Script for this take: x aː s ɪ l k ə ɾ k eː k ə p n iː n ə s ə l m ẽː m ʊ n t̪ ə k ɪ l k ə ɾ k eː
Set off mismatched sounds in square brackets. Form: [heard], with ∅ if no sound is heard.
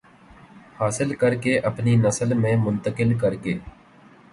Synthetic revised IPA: [h] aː s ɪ l k ə ɾ k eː [ʔ] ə p n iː n ə s ə l m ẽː m ʊ n t̪ ə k ɪ l k ə ɾ k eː